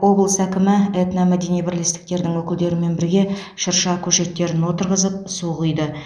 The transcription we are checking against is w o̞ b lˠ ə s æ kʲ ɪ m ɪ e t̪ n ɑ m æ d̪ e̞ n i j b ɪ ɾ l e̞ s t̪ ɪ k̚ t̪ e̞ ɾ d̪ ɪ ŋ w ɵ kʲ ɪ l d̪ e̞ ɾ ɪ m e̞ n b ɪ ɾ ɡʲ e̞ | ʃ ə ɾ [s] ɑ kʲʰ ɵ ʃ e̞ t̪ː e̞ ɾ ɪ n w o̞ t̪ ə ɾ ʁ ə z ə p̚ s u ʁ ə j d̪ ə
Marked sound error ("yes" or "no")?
yes